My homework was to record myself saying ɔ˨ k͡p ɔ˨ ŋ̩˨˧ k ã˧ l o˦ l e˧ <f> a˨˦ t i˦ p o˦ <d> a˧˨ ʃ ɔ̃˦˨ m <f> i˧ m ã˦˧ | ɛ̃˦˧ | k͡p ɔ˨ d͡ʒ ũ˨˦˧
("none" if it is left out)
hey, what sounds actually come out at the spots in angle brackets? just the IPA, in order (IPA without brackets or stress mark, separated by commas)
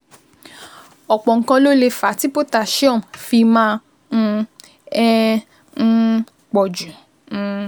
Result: f, t, f